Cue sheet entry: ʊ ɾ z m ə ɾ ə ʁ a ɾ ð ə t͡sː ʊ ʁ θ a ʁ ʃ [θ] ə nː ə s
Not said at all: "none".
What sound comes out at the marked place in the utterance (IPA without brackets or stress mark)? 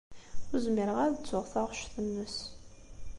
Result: θ